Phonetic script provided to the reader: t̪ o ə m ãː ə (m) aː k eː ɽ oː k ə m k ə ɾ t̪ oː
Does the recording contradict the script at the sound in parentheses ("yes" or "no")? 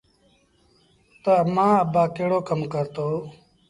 yes